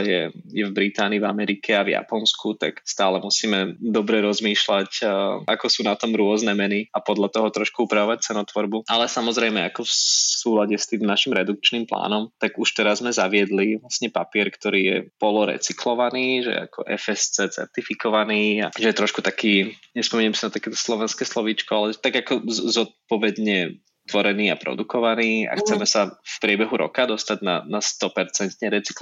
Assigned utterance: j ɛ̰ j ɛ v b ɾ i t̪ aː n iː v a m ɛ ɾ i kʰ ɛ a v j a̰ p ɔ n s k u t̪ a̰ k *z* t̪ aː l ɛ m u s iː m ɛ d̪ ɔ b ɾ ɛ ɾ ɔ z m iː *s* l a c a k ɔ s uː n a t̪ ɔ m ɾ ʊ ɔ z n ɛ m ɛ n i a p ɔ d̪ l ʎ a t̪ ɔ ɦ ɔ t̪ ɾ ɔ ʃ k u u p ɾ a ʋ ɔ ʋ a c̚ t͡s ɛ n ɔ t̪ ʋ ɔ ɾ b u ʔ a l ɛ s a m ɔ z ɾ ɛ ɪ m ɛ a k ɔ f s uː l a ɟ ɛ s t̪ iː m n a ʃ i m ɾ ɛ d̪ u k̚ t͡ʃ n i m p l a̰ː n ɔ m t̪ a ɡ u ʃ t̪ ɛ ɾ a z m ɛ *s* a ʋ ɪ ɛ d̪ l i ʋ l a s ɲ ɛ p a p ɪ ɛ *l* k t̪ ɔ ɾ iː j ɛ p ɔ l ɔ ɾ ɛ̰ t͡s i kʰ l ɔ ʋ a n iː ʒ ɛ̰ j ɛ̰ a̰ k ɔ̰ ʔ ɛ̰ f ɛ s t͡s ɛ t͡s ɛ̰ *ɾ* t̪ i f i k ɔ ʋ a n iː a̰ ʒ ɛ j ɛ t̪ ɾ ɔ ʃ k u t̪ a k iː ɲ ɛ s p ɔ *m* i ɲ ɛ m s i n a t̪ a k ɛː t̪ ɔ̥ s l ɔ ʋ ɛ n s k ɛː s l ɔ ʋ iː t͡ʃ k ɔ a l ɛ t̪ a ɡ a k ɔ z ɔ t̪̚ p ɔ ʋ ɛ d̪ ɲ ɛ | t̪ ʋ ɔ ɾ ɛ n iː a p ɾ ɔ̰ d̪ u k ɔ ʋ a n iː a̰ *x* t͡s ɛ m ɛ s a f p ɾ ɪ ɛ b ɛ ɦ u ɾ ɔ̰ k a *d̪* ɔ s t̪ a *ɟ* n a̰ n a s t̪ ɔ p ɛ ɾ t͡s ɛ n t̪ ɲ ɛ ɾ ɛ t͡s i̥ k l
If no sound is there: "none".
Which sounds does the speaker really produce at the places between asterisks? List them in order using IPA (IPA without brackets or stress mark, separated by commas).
s, ʃ, z, ɾ, ɾ, m, x, d̪, ɟ